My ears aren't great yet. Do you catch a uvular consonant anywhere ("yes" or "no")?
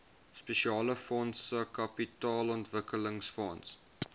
no